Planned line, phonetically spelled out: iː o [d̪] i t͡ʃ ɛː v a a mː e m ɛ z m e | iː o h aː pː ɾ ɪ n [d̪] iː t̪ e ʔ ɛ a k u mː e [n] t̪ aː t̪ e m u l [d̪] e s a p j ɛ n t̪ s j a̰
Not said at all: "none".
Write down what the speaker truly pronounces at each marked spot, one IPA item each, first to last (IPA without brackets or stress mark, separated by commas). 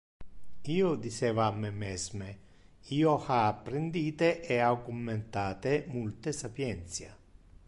d̪, d̪, n, t̪